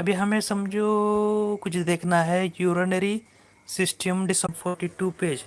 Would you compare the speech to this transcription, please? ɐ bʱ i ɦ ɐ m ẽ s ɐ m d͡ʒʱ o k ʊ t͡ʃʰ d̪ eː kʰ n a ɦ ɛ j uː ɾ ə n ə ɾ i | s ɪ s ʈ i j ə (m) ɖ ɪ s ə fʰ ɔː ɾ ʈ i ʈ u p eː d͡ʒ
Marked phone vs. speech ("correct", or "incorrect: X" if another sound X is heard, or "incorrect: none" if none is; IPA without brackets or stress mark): correct